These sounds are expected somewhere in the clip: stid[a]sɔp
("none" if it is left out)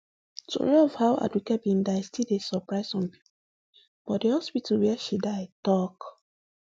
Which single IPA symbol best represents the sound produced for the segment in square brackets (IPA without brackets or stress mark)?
e